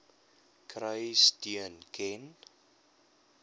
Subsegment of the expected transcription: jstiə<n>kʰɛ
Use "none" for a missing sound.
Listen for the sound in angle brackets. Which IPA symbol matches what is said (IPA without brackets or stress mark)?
n